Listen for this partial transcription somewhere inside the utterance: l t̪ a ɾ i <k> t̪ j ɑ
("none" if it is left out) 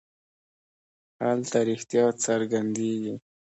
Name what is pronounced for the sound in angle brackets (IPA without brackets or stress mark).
x